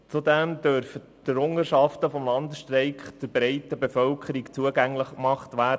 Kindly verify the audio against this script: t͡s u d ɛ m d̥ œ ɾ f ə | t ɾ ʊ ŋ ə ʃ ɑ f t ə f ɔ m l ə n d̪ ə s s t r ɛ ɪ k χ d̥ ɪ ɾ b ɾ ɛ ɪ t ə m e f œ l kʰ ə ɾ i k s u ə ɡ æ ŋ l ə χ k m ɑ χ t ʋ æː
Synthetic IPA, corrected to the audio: t͡s u d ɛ m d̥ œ ɾ f ə | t ɾ ʊ ŋ ə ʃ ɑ f t ə f ɔ m l ɑ n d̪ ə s ʃ t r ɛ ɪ k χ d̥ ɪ ɾ b ɾ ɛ ɪ t ə b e f œ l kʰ ə ɾ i k t͡s u ə ɡ æ ŋ l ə χ k m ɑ χ t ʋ æː